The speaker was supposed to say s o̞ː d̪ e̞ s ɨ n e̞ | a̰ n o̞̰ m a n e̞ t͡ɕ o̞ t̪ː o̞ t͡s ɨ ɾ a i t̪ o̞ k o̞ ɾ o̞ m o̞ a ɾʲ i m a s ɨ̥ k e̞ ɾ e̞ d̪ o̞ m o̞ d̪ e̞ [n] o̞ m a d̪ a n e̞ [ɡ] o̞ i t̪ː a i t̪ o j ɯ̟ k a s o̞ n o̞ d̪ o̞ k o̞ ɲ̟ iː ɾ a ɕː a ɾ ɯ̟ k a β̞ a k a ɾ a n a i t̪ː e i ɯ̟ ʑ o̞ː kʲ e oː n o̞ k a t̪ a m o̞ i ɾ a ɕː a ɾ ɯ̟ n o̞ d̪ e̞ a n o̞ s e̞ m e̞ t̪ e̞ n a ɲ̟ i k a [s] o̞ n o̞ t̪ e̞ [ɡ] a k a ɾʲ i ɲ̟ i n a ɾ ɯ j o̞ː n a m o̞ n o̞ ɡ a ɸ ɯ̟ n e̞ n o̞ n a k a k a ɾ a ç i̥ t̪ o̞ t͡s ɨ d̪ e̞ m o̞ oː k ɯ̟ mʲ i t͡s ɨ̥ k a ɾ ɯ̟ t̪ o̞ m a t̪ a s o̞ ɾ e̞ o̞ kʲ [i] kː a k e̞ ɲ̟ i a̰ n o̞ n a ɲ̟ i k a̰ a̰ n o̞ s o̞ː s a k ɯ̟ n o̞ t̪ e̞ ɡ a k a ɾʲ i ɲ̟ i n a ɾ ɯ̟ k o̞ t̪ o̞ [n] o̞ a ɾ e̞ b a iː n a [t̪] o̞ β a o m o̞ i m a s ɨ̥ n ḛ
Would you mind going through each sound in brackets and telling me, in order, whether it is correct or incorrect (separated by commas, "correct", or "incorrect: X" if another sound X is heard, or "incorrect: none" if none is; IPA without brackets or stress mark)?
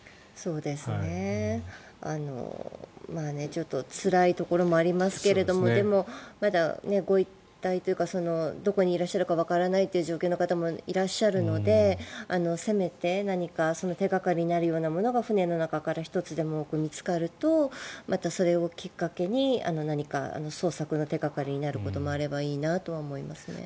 incorrect: m, correct, correct, correct, correct, incorrect: m, correct